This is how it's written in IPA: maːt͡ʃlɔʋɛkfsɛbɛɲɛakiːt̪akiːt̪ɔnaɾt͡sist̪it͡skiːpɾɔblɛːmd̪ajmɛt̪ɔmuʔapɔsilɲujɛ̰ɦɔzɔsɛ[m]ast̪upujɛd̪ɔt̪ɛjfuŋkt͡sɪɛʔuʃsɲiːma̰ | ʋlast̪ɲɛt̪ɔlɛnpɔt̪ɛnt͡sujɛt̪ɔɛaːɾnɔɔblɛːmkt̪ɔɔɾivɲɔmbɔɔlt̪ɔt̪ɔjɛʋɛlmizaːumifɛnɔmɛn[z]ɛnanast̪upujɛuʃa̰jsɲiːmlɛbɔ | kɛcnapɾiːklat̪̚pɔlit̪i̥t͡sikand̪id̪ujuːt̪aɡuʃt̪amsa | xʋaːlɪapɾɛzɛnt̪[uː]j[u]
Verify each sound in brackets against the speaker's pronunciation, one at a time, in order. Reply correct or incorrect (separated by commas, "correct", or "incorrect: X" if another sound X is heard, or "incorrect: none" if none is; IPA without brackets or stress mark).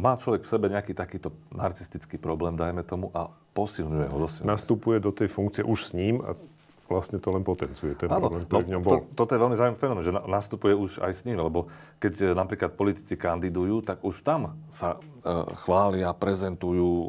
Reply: incorrect: n, incorrect: ʒ, incorrect: u, incorrect: uː